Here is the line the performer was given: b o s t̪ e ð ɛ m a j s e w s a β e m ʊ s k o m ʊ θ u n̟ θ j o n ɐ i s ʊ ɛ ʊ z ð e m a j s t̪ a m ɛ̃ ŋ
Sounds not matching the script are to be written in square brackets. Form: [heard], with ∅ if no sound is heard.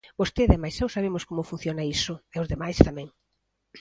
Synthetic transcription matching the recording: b o s t̪ e ð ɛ m a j s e w s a β e m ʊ s k o m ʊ [f] u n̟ θ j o n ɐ i s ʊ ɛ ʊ z ð e m a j s t̪ a m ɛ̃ ŋ